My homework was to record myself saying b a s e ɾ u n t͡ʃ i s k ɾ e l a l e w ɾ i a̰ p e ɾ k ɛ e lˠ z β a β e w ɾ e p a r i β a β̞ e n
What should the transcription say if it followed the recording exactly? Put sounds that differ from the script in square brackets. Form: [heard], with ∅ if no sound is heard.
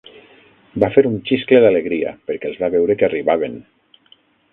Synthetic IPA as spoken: b a [f] e ɾ u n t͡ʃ i s k [l] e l a l e [ɣ] ɾ i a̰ p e ɾ k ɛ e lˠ z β a β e w ɾ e [k] a r i β a β̞ e n